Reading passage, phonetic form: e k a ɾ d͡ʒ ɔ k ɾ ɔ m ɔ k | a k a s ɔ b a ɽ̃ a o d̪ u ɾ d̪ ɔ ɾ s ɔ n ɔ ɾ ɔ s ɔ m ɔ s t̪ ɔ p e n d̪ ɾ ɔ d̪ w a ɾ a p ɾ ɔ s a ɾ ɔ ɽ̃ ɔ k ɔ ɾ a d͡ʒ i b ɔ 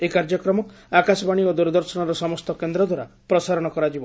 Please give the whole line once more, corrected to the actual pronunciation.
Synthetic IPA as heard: e k a ɾ d͡ʒ ɔ k ɾ ɔ m ɔ k | a k a s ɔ b a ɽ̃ i o d̪ u ɾ d̪ ɔ ɾ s ɔ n ɔ ɾ ɔ s ɔ m ɔ s t̪ ɔ k e n d̪ ɾ ɔ d̪ w a ɾ a p ɾ ɔ s a ɾ ɔ ɽ̃ ɔ k ɔ ɾ a d͡ʒ i b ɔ